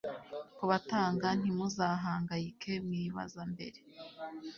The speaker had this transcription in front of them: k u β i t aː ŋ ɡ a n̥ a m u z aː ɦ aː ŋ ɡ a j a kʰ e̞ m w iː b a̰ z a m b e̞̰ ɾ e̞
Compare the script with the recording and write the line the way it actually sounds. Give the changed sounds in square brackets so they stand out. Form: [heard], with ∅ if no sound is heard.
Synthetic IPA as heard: k u β [a] t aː ŋ ɡ a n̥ [i] m u z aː ɦ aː ŋ ɡ a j [i] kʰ e̞ m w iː [β] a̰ z a m b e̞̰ ɾ e̞